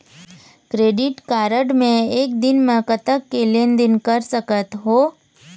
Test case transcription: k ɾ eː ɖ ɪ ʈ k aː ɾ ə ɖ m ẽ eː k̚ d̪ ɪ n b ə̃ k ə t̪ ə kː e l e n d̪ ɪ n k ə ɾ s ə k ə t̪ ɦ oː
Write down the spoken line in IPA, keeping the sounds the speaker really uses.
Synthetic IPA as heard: k ɾ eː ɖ ɪ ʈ k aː ɾ ə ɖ m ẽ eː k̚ d̪ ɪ n m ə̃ k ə t̪ ə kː e l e n d̪ ɪ n k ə ɾ s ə k ə t̪ ɦ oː